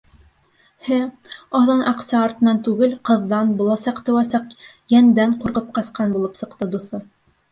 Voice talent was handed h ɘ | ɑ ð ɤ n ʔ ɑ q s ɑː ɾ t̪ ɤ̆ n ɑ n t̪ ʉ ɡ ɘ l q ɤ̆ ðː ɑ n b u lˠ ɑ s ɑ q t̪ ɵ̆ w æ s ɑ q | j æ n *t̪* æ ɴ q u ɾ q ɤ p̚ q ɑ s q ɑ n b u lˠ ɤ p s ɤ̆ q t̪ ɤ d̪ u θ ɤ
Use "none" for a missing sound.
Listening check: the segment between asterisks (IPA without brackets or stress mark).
d̪